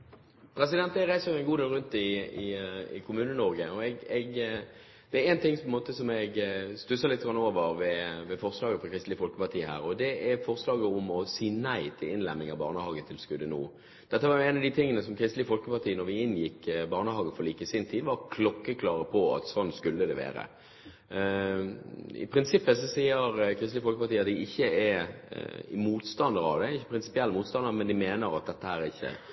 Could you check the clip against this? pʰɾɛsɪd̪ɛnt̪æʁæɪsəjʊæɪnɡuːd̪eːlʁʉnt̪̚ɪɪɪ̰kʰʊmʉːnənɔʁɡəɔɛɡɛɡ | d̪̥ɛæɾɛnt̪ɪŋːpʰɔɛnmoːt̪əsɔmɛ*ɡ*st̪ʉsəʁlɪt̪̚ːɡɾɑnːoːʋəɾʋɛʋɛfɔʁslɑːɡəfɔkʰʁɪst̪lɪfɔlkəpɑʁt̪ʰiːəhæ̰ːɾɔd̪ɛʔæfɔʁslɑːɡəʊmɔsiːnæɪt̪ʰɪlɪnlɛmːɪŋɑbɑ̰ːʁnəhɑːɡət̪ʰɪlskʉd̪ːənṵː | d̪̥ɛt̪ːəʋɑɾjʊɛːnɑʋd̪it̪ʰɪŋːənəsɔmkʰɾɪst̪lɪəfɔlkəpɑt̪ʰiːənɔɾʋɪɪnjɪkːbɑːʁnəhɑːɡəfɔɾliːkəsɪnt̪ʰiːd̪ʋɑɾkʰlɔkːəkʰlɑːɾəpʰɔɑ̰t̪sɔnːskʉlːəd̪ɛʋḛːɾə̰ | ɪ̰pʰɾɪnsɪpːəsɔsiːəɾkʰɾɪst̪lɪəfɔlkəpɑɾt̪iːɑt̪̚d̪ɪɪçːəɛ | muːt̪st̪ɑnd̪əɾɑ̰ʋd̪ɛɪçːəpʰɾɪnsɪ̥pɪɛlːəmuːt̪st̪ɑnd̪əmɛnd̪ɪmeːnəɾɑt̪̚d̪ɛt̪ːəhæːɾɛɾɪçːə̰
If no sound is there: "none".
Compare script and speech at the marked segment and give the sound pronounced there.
ɡ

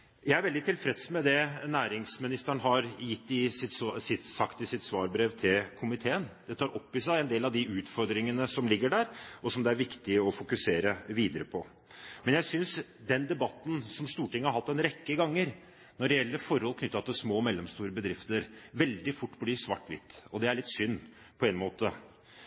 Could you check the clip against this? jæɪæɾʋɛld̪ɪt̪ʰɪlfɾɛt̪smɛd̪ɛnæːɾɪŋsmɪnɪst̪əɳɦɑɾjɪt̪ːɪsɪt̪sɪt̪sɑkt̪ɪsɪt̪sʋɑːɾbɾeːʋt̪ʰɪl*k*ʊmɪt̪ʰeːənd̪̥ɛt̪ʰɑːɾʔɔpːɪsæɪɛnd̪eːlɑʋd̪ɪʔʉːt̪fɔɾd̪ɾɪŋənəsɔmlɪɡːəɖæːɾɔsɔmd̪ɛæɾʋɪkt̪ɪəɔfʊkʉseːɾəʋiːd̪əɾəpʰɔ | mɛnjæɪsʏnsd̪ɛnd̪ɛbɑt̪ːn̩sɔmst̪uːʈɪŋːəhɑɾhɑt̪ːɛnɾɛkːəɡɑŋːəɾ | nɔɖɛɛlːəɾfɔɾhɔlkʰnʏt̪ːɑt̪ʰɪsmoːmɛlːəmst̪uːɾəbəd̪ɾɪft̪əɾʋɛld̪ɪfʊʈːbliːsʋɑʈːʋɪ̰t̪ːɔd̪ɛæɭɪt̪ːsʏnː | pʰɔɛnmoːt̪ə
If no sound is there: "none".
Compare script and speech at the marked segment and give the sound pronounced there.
kʰ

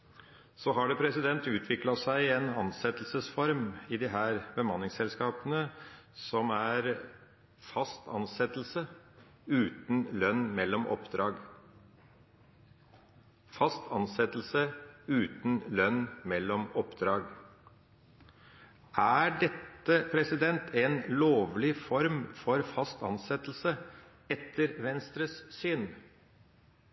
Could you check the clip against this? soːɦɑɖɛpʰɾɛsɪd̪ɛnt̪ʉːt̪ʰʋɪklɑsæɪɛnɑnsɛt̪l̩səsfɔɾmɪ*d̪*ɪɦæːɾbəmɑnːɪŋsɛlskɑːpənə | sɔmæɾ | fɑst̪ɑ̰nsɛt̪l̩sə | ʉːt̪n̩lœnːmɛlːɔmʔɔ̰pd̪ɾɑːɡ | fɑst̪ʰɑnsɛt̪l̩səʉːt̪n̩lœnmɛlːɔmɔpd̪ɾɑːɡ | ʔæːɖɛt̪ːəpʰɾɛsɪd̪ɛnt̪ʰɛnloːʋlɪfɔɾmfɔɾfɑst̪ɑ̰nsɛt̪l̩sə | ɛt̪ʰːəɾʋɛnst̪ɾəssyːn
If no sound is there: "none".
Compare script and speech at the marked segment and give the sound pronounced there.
d̪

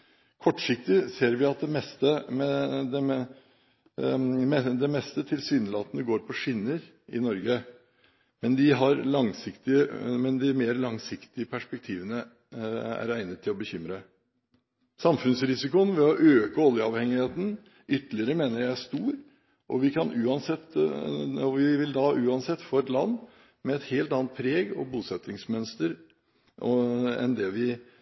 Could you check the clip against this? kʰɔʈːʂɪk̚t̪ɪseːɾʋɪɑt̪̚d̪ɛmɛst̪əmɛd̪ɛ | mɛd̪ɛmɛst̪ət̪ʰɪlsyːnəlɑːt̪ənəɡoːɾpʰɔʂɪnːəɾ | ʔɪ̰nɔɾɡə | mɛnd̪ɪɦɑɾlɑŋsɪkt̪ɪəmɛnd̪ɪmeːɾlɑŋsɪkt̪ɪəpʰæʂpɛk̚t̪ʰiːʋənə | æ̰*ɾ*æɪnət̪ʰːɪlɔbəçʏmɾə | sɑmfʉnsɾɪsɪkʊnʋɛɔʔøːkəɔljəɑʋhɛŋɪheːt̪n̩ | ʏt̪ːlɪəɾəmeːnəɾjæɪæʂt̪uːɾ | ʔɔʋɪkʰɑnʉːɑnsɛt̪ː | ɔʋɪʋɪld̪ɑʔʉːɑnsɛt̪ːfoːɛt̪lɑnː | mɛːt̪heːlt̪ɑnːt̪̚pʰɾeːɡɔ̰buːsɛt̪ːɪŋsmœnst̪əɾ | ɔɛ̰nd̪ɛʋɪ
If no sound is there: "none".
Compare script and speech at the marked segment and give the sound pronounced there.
ɾ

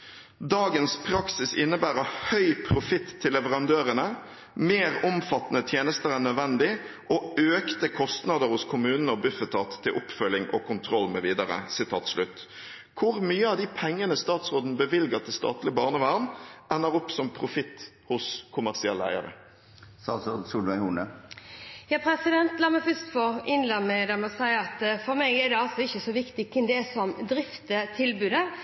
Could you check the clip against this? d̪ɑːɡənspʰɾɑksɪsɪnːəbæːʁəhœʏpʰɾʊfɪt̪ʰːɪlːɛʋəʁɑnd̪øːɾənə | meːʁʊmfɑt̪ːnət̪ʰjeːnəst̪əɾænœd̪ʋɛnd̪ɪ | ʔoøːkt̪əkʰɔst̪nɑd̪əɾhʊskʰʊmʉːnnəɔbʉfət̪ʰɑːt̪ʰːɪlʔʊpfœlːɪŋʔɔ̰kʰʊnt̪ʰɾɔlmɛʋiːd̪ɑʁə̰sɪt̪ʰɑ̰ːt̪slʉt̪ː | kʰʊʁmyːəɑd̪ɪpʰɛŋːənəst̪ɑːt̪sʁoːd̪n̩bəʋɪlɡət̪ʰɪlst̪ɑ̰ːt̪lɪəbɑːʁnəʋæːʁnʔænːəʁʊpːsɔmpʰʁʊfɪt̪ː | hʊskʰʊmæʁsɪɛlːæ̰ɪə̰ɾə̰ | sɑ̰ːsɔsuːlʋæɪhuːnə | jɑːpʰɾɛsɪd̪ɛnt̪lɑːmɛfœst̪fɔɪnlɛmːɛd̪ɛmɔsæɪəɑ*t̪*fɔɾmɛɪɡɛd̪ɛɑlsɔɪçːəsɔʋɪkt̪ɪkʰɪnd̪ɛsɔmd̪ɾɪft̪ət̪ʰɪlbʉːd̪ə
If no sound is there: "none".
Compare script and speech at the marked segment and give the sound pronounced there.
t̪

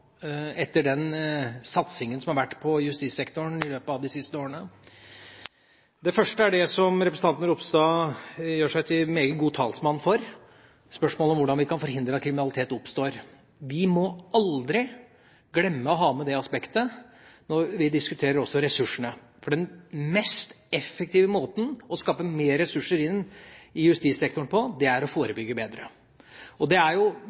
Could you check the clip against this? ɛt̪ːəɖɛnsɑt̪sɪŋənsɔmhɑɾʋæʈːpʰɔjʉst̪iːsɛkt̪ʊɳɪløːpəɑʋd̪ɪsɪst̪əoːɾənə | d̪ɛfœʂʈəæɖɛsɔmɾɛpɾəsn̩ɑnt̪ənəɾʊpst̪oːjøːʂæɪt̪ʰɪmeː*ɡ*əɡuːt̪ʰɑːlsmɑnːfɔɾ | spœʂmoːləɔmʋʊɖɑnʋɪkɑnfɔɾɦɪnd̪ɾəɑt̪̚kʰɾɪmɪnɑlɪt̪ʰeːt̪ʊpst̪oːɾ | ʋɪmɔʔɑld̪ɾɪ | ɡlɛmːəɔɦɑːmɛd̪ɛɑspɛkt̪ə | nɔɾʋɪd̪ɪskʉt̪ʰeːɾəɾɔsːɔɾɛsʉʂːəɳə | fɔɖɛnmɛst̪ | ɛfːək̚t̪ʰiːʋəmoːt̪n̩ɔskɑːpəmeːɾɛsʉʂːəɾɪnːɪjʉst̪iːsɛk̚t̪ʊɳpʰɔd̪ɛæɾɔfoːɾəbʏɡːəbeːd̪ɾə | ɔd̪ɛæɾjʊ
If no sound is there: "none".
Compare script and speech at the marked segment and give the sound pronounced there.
ɡ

